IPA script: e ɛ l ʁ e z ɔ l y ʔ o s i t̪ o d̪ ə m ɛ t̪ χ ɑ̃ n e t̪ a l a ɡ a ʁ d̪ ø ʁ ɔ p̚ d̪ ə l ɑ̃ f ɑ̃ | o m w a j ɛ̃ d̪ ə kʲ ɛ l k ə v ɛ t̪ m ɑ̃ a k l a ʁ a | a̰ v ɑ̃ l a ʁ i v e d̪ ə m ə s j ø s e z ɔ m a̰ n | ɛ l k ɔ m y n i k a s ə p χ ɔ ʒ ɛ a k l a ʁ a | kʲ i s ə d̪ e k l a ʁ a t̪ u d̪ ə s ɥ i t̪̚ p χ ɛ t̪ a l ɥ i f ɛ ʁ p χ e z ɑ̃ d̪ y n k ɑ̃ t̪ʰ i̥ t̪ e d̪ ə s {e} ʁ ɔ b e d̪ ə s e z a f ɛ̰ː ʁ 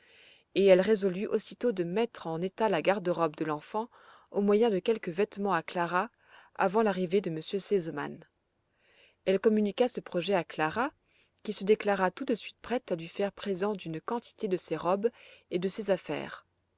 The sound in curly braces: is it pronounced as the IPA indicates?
yes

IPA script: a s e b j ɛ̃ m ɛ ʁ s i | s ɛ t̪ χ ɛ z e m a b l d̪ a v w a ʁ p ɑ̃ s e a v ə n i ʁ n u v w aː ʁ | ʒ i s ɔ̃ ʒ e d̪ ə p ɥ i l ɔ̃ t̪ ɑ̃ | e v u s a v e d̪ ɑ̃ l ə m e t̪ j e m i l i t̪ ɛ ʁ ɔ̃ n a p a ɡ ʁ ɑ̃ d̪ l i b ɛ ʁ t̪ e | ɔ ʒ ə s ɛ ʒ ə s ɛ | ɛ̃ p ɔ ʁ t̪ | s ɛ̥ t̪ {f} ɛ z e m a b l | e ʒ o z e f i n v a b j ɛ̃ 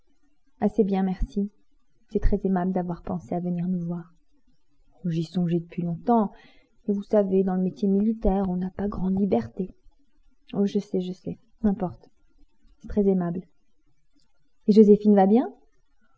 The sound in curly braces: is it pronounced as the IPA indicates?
no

